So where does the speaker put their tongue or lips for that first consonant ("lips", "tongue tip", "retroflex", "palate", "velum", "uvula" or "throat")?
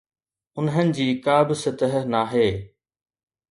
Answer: tongue tip